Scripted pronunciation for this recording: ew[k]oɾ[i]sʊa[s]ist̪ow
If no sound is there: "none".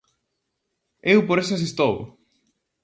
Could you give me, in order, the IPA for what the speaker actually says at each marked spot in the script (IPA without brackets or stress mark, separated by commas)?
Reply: p, e, s